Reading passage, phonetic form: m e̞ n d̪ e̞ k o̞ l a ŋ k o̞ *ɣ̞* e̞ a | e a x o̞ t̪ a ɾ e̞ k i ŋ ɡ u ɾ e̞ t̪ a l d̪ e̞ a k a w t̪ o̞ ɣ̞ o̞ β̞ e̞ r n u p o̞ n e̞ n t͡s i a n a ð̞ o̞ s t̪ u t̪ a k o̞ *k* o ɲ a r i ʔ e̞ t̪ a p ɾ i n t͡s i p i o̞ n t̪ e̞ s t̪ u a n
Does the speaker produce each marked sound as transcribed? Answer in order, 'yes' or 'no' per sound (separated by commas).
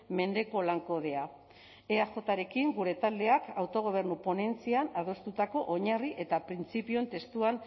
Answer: no, no